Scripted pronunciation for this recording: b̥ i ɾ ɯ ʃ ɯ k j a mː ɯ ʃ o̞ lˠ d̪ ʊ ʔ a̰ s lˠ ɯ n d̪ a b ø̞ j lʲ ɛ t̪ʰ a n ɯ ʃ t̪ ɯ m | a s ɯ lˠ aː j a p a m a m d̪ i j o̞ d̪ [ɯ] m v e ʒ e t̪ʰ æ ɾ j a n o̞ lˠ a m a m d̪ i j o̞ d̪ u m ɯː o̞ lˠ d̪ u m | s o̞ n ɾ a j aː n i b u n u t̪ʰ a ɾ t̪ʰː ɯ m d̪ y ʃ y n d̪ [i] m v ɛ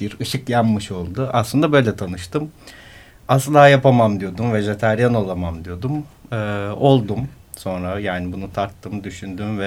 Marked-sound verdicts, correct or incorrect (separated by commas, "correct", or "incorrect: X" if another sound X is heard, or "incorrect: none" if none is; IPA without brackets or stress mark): incorrect: u, incorrect: y